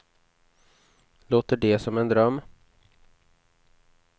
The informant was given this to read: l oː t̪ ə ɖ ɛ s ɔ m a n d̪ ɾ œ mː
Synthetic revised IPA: l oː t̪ ə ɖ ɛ s ɔ m ɛ n d̪ ɾ œ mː